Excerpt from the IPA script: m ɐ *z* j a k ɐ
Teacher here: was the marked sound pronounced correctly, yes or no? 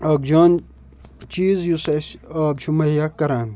no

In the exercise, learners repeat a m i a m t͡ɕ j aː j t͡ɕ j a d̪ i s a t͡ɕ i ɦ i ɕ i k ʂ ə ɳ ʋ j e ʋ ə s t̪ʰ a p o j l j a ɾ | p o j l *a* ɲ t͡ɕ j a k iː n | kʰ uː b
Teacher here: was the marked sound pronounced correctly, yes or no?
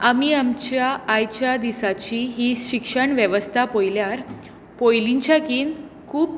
no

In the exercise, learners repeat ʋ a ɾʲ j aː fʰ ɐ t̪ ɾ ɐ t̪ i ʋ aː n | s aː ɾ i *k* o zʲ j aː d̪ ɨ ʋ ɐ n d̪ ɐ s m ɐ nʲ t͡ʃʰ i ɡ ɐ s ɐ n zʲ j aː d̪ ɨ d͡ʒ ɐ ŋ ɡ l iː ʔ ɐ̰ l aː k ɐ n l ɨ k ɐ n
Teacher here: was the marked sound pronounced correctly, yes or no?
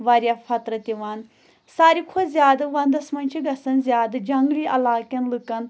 no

